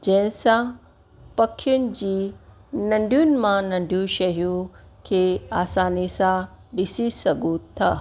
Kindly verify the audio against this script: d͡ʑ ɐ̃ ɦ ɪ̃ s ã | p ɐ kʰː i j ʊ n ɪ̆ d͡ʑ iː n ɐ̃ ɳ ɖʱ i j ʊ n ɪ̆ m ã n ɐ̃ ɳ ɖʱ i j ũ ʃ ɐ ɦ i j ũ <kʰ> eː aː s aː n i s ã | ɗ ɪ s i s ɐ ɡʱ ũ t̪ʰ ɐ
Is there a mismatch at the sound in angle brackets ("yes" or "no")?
no